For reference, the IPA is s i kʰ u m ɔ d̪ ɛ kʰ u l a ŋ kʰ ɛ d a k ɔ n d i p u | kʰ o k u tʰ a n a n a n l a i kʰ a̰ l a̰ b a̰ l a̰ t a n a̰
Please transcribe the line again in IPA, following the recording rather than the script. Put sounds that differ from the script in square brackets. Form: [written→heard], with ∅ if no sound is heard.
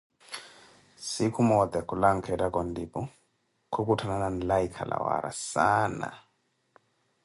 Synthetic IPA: s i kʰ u m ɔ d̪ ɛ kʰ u l a ŋ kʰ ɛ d a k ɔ n d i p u | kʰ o k u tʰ a n a n a n l a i kʰ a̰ l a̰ [b→w] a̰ [l→ɾ] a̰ [t→s] a n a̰